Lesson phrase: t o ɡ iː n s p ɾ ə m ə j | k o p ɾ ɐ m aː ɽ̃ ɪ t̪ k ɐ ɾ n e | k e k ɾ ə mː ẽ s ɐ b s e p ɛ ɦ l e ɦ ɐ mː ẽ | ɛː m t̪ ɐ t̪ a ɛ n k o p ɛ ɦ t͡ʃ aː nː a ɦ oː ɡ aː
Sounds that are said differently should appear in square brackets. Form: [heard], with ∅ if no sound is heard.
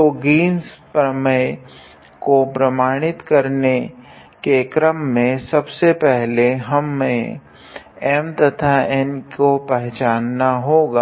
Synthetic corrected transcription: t o ɡ iː n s p ɾ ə m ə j | k o p ɾ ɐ m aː ɽ̃ ɪ t̪ k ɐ ɾ n e | k e k ɾ ə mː ẽ s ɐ b s e p ɛ ɦ l e ɦ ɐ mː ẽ | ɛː m t̪ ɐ [t̪ʰ] a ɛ n k o p ɛ ɦ t͡ʃ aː nː a ɦ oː ɡ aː